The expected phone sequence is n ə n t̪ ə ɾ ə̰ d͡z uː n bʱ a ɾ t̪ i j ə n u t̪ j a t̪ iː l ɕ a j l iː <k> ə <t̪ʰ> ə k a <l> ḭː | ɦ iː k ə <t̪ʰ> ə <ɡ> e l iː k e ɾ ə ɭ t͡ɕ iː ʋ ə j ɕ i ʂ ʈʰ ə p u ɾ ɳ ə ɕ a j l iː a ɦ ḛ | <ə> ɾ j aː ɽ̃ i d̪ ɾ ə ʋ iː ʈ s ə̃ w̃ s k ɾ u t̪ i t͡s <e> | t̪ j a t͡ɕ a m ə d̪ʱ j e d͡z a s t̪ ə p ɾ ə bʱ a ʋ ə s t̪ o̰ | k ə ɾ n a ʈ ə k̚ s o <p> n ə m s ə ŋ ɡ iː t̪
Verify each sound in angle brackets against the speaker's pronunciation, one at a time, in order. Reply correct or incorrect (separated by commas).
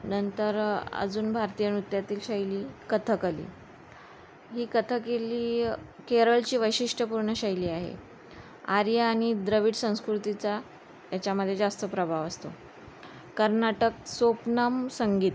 correct, correct, correct, correct, incorrect, incorrect, incorrect, correct